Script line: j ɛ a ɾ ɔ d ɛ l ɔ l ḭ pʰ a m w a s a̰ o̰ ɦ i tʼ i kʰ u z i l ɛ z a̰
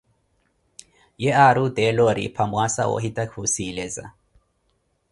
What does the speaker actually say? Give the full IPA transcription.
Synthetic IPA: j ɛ a ɾ u d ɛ l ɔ ɾ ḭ pʰ a m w a s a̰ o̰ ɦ i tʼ a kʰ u s i l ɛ z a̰